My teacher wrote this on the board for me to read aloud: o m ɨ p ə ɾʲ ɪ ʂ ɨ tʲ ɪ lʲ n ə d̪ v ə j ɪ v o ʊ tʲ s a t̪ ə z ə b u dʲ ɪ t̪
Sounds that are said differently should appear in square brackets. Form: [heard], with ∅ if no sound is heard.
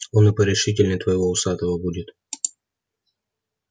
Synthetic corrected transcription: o [n] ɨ p ə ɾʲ ɪ ʂ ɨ tʲ ɪ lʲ n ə [t̪] v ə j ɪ v o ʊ [∅] s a t̪ ə [v] ə b u dʲ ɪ t̪